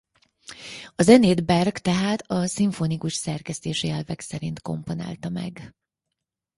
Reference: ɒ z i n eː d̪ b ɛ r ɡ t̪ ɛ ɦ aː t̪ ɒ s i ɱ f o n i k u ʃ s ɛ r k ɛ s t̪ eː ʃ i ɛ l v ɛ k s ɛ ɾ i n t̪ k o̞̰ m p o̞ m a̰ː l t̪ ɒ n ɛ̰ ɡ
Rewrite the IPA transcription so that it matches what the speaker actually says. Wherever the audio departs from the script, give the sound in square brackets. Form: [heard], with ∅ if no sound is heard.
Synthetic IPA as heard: ɒ z [ɛ] n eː d̪ b ɛ r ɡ t̪ ɛ ɦ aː t̪ ɒ s i ɱ f o n i k u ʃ s ɛ r k ɛ s t̪ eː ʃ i ɛ l v ɛ k s ɛ ɾ i n t̪ k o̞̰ m p o̞ [n] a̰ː l t̪ ɒ [m] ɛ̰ ɡ

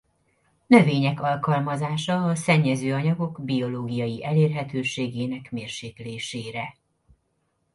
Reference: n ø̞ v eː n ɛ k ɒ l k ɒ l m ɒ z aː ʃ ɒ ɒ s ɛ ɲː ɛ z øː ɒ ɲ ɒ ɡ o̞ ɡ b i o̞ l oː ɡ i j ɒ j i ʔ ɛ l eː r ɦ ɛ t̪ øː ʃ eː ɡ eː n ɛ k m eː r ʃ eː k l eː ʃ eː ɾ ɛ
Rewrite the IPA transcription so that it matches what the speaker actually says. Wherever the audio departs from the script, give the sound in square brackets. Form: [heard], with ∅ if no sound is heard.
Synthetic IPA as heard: n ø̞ v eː [ɲ] ɛ k ɒ l k ɒ l m ɒ z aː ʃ ɒ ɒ s ɛ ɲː ɛ z øː ɒ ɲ ɒ ɡ o̞ ɡ b i o̞ l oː ɡ i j ɒ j i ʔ ɛ l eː r ɦ ɛ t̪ øː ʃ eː ɡ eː n ɛ k m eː r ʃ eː k l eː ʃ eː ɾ ɛ

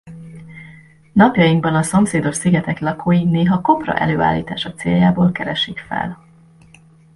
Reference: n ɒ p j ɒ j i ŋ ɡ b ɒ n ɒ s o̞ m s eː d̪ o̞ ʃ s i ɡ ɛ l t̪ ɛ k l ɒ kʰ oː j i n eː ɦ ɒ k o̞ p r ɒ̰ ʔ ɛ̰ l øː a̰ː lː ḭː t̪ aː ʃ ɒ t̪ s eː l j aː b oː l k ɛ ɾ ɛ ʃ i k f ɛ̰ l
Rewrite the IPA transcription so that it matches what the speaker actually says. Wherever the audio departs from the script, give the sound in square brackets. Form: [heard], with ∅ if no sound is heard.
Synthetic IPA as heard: n ɒ p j ɒ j i ŋ ɡ b ɒ n ɒ s o̞ m s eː d̪ o̞ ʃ s i ɡ ɛ [∅] t̪ ɛ k l ɒ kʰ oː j i n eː ɦ ɒ k o̞ p r ɒ̰ ʔ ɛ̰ l øː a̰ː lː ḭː t̪ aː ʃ ɒ t̪ s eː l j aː b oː l k ɛ ɾ ɛ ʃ i k f ɛ̰ l

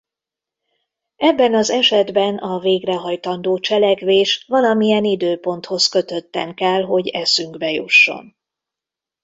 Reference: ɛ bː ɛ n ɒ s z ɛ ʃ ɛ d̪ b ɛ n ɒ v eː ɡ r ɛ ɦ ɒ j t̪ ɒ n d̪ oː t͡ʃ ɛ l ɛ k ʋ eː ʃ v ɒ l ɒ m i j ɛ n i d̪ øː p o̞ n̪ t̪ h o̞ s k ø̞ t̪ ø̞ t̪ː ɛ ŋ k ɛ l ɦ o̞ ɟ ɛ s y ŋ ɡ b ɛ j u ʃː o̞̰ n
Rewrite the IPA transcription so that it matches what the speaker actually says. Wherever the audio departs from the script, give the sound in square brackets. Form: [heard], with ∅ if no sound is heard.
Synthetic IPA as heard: ɛ bː ɛ n ɒ [∅] z ɛ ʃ ɛ d̪ b ɛ n ɒ v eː ɡ r ɛ ɦ ɒ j t̪ ɒ n d̪ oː t͡ʃ ɛ l ɛ k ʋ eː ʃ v ɒ l ɒ m i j ɛ n i d̪ øː p o̞ n̪ t̪ h o̞ s k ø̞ t̪ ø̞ t̪ː ɛ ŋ k ɛ l ɦ o̞ ɟ ɛ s y ŋ ɡ b ɛ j u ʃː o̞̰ n

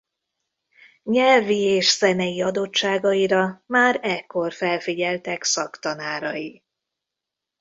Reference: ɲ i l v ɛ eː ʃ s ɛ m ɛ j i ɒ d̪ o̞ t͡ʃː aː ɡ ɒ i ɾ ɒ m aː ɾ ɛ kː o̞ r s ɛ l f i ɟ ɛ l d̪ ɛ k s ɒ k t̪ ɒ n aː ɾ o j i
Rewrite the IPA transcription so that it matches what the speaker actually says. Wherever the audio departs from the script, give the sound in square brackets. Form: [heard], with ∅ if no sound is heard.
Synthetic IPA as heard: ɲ [ɛ] l v [i] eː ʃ s ɛ [n] ɛ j i ɒ d̪ o̞ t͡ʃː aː ɡ ɒ i ɾ ɒ m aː ɾ ɛ kː o̞ r [f] ɛ l f i ɟ ɛ l [t̪] ɛ k s ɒ k t̪ ɒ n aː ɾ [ɒ] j i

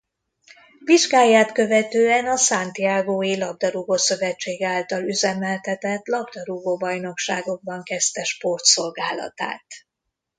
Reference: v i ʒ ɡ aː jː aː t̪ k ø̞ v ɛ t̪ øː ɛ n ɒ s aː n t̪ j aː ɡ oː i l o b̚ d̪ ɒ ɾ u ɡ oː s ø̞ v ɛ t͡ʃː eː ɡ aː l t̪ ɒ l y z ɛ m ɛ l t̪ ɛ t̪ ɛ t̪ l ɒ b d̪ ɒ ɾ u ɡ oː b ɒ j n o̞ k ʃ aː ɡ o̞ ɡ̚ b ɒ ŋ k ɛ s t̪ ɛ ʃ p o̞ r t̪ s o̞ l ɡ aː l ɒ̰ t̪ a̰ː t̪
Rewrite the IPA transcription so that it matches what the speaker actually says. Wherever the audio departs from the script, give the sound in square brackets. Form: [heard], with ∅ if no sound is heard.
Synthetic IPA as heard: v i ʒ ɡ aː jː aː t̪ k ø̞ v ɛ t̪ øː ɛ n ɒ s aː n t̪ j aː ɡ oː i l [ɒ] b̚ d̪ ɒ ɾ u ɡ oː s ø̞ v ɛ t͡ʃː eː ɡ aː l t̪ ɒ l y z ɛ m ɛ l t̪ ɛ t̪ ɛ t̪ l ɒ b d̪ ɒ ɾ u ɡ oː b ɒ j n o̞ k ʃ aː ɡ o̞ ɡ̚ b ɒ ŋ k ɛ s t̪ ɛ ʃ p o̞ r t̪ s o̞ l ɡ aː l ɒ̰ t̪ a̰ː t̪

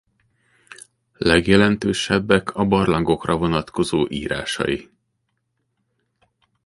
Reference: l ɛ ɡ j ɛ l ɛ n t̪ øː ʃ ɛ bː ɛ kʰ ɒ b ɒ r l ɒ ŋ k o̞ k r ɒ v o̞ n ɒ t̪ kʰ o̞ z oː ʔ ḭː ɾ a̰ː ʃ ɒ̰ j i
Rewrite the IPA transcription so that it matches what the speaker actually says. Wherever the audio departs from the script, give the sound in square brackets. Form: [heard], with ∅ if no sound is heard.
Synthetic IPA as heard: l ɛ ɡ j ɛ l ɛ n t̪ øː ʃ ɛ bː ɛ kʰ ɒ b ɒ r l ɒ ŋ [ɡ] o̞ k r ɒ v o̞ n ɒ t̪ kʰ o̞ z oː ʔ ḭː ɾ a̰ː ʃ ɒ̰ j i

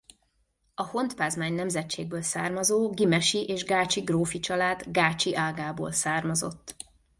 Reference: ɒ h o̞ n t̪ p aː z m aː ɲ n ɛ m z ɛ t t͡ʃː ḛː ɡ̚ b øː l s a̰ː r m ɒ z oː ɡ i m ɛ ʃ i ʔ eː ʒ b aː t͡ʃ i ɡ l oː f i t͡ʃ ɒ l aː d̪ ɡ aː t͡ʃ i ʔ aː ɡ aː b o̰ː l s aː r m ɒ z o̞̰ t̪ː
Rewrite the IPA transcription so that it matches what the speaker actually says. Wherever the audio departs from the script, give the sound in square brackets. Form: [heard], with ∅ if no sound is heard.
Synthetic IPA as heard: ɒ h o̞ n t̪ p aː z m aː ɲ n ɛ m z ɛ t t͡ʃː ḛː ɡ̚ b øː l s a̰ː r m ɒ z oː ɡ i m ɛ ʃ i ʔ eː ʒ [ɡ] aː t͡ʃ i ɡ [r] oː f i t͡ʃ ɒ l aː d̪ ɡ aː t͡ʃ i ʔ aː ɡ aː b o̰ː l s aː r m ɒ z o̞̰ t̪ː

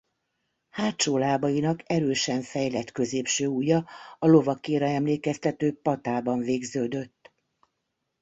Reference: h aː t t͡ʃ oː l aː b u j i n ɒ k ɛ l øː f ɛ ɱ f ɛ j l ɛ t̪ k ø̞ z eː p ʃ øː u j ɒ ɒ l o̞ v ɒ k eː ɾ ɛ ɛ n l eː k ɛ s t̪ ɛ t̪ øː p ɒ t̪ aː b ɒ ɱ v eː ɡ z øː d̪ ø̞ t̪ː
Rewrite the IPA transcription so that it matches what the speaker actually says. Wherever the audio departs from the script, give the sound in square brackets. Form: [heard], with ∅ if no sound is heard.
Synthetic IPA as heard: h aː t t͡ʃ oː l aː b [ɒ] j i n ɒ k ɛ [ɾ] øː [ʃ] ɛ ɱ f ɛ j l ɛ t̪ k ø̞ z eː p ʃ øː u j ɒ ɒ l o̞ v ɒ k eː ɾ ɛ ɛ [m] l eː k ɛ s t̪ ɛ t̪ øː p ɒ t̪ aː b ɒ ɱ v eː ɡ z øː d̪ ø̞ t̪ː

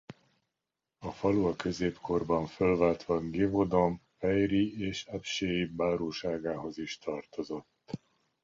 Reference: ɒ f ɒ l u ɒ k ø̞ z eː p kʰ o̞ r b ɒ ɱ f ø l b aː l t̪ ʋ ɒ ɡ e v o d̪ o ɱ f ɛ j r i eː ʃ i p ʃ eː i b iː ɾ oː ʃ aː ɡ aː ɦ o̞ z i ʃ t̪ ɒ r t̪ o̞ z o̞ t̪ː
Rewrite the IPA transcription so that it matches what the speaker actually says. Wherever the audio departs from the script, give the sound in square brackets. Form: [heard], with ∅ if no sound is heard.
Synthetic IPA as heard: ɒ f ɒ l u ɒ k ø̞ z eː p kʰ o̞ r b ɒ ɱ f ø l [v] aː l t̪ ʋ ɒ ɡ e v o d̪ o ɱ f ɛ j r i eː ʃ [ɛ] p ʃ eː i b [aː] ɾ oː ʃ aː ɡ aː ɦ o̞ z i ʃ t̪ ɒ r t̪ o̞ z o̞ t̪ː

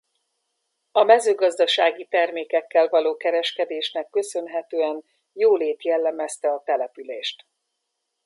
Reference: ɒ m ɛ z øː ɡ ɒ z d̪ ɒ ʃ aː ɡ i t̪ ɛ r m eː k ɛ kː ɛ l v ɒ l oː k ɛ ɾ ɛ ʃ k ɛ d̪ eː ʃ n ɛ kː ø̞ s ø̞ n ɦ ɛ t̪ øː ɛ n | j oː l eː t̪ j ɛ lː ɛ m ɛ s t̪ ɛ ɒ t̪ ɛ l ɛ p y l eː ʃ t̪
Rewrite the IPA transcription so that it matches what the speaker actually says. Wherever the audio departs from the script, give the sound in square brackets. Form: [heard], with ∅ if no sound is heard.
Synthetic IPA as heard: ɒ m ɛ z øː ɡ ɒ z d̪ ɒ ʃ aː ɡ i t̪ ɛ r m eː k ɛ kː ɛ l v ɒ l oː k ɛ ɾ ɛ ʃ k ɛ d̪ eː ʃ n ɛ kː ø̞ s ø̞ n ɦ ɛ t̪ øː ɛ n | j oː l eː t̪ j ɛ lː ɛ m ɛ s t̪ ɛ ɒ t̪ ɛ l ɛ p y l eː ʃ t̪

